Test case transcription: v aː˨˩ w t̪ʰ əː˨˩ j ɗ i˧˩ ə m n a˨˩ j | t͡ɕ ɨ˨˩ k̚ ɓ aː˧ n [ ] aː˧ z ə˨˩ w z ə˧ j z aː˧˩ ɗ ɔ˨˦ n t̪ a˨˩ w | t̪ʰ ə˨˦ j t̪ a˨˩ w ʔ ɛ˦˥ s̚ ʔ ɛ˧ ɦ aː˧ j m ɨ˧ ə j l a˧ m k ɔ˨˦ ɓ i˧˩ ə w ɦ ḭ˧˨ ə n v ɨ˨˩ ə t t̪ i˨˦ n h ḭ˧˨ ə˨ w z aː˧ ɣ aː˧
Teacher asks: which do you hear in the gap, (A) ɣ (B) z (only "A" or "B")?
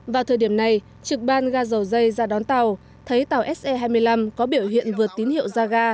A